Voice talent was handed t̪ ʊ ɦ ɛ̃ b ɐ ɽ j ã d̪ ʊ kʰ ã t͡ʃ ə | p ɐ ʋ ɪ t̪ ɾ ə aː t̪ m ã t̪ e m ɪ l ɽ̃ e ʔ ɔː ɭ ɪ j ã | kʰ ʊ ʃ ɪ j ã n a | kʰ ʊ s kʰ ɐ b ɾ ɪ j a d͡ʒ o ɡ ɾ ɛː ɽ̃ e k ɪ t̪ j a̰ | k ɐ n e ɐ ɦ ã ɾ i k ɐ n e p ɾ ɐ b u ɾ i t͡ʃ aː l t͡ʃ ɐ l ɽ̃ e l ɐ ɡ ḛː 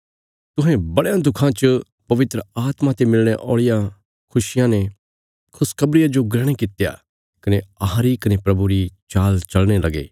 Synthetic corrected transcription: t̪ ʊ ɦ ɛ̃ b ɐ ɽ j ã d̪ ʊ kʰ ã t͡ʃ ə | p ɐ ʋ ɪ t̪ ɾ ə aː t̪ m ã t̪ e m ɪ l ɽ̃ e ʔ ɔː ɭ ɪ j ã | kʰ ʊ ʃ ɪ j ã n e | kʰ ʊ s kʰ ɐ b ɾ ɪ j a d͡ʒ o ɡ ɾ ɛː ɽ̃ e k ɪ t̪ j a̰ | k ɐ n e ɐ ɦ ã ɾ i k ɐ n e p ɾ ɐ b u ɾ i t͡ʃ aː l t͡ʃ ɐ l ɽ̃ e l ɐ ɡ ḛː

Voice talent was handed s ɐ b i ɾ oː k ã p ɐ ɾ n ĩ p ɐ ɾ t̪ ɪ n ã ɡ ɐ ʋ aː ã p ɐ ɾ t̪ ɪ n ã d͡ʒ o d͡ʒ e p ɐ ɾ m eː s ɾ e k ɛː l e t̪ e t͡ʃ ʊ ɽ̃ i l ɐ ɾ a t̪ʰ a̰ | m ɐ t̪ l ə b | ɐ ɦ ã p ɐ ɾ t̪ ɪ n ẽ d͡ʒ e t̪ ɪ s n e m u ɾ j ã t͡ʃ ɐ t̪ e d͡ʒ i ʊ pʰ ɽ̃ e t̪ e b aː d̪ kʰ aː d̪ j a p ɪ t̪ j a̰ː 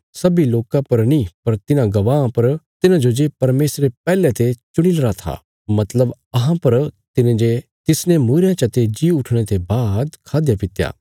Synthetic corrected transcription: s ɐ b i l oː k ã p ɐ ɾ n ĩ p ɐ ɾ t̪ ɪ n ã ɡ ɐ ʋ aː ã p ɐ ɾ t̪ ɪ n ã d͡ʒ o d͡ʒ e p ɐ ɾ m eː s ɾ e p ɛː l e t̪ e t͡ʃ ʊ ɽ̃ i l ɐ ɾ a t̪ʰ a̰ | m ɐ t̪ l ə b | ɐ ɦ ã p ɐ ɾ t̪ ɪ n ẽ d͡ʒ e t̪ ɪ s n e m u ɾ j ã t͡ʃ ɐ t̪ e d͡ʒ i ʊ ʈʰ ɽ̃ e t̪ e b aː d̪ kʰ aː d̪ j a p ɪ t̪ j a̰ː

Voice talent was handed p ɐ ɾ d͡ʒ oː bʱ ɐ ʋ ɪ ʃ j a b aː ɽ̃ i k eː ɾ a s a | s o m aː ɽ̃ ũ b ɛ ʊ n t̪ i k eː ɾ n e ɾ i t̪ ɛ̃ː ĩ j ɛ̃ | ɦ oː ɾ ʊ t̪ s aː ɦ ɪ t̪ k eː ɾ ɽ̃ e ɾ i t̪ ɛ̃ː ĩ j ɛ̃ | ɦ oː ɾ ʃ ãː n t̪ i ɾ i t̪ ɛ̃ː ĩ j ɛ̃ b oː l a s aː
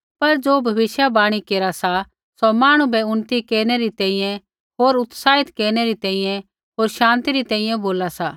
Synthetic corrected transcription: p ɐ ɾ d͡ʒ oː bʱ ɐ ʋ ɪ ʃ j a b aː ɽ̃ i k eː ɾ a s a | s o m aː ɽ̃ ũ b ɛ ʊ n t̪ i k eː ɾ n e ɾ i t̪ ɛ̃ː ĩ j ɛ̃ | ɦ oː ɾ ʊ t̪ s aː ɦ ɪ t̪ k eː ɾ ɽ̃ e ɾ i t̪ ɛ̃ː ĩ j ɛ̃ | ɦ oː ɾ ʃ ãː n t̪ i ɾ i t̪ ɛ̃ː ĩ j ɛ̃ b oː l a s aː

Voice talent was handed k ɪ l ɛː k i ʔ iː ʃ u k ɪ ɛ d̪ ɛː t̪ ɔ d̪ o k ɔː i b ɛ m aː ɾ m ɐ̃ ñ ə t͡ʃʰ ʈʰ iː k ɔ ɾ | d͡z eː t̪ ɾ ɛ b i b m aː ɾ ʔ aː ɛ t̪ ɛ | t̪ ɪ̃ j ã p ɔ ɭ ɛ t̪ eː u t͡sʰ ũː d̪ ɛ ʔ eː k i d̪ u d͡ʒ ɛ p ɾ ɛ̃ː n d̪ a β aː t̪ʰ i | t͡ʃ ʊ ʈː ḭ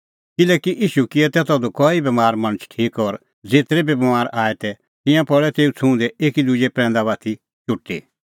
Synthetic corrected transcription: k ɪ l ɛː k i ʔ iː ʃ u k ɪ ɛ t̪ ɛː t̪ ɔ d̪ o k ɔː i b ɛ m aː ɾ m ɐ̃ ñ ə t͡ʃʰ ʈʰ iː k ɔ ɾ | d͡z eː t̪ ɾ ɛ b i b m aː ɾ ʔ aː ɛ t̪ ɛ | t̪ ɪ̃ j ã p ɔ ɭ ɛ t̪ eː u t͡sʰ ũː d̪ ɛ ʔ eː k i d̪ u d͡ʒ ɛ p ɾ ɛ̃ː n d̪ a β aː t̪ʰ i | t͡ʃ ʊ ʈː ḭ

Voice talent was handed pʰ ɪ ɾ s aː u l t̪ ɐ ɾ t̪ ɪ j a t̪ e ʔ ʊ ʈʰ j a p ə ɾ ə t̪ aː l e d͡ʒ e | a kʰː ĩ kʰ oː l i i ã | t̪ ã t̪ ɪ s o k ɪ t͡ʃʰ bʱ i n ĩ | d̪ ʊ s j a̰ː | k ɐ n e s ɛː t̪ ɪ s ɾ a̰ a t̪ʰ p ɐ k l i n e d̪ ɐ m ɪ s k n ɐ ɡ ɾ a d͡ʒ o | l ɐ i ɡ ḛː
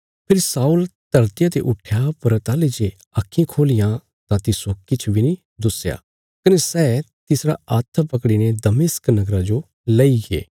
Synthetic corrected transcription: pʰ ɪ ɾ s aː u l t̪ ɐ ɾ t̪ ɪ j a t̪ e ʔ ʊ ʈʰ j a p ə ɾ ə t̪ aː l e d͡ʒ e | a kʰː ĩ kʰ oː l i j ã | t̪ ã t̪ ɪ s o k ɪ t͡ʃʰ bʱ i n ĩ | d̪ ʊ s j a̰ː | k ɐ n e s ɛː t̪ ɪ s ɾ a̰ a t̪ʰ p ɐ k ɽ i n e d̪ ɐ m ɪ s k n ɐ ɡ ɾ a d͡ʒ o | l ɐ i ɡ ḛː

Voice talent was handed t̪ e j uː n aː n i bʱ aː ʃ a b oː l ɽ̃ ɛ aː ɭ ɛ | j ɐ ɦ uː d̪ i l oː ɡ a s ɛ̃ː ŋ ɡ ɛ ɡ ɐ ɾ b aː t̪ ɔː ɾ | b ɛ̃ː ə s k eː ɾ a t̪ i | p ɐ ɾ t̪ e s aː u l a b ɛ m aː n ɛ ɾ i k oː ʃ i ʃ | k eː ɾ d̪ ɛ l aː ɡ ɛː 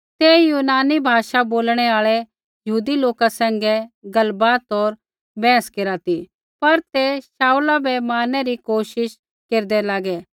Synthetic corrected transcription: t̪ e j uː n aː n i bʱ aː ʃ a b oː l ɽ̃ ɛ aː ɭ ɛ | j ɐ ɦ uː d̪ i l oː k a s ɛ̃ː ŋ ɡ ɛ ɡ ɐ l b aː t̪ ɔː ɾ | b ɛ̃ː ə s k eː ɾ a t̪ i | p ɐ ɾ t̪ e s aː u l a b ɛ m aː n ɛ ɾ i k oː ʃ ɪ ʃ | k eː ɾ d̪ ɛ l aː ɡ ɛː

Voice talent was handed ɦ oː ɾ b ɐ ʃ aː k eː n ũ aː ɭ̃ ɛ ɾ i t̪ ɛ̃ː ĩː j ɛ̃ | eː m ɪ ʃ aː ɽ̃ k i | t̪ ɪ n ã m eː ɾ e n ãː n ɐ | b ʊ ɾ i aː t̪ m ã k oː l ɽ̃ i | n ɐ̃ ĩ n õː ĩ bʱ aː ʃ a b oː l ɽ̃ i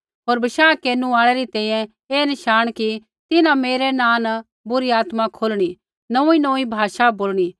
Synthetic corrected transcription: ɦ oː ɾ b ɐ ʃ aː k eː n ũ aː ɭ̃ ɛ ɾ i t̪ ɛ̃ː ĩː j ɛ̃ | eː n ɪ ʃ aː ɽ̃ k i | t̪ ɪ n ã m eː ɾ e n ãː n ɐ | b ʊ ɾ i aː t̪ m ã kʰ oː l ɽ̃ i | n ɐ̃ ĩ n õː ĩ bʱ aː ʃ a b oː l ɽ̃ i

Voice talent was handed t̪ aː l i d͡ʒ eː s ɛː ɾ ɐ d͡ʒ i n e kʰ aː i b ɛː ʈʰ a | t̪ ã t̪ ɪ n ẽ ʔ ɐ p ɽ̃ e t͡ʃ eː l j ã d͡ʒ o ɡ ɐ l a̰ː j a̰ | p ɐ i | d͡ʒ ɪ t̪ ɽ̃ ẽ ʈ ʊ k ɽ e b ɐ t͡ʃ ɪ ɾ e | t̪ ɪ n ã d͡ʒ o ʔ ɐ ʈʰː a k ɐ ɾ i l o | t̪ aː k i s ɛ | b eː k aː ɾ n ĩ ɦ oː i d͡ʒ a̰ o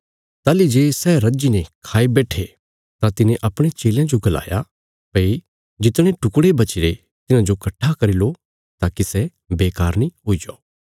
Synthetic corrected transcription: t̪ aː l i d͡ʒ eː s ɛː ɾ ɐ d͡ʒ i n e kʰ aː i b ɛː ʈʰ e | t̪ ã t̪ ɪ n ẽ ʔ ɐ p ɽ̃ e t͡ʃ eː l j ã d͡ʒ o ɡ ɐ l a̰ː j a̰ | p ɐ i | d͡ʒ ɪ t̪ ɽ̃ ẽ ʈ ʊ k ɽ e b ɐ t͡ʃ ɪ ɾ e | t̪ ɪ n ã d͡ʒ o k ɐ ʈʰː a k ɐ ɾ i l o | t̪ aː k i s ɛ | b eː k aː ɾ n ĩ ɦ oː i d͡ʒ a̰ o

